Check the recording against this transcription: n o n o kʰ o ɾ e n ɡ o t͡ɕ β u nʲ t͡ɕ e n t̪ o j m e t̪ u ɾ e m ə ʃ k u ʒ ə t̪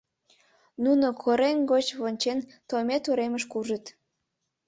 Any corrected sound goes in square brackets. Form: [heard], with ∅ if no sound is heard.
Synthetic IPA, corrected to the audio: n [u] n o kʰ o ɾ e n ɡ o t͡ɕ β [o] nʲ t͡ɕ e n t̪ o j m e t̪ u ɾ e m ə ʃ k u ʒ ə t̪